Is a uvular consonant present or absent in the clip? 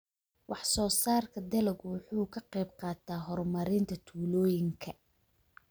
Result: present